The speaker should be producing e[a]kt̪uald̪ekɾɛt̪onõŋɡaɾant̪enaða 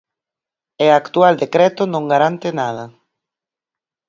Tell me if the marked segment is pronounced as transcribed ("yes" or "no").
yes